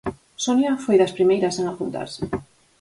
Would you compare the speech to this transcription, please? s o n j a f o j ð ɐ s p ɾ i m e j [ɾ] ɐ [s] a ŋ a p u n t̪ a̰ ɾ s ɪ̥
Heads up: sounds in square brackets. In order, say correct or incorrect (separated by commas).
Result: correct, correct